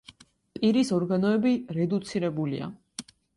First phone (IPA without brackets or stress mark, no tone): pʼ